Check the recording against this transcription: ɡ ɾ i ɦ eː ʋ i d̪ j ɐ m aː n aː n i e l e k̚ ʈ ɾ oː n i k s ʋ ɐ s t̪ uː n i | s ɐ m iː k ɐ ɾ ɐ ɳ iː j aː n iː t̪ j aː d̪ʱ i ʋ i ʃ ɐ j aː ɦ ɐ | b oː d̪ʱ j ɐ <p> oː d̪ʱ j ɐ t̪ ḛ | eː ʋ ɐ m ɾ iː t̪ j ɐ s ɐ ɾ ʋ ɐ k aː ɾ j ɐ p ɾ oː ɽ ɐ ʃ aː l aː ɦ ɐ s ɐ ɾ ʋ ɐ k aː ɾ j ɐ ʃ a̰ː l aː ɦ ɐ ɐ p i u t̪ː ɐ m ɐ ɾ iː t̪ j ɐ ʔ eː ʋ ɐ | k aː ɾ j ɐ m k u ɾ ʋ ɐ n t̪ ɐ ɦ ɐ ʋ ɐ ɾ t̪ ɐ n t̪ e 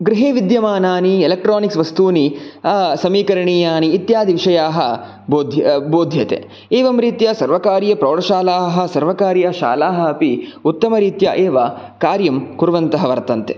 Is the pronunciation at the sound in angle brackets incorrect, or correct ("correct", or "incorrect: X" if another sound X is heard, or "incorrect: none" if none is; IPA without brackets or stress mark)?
incorrect: b